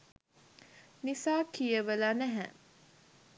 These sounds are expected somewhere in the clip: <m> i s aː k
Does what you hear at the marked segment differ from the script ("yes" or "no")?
yes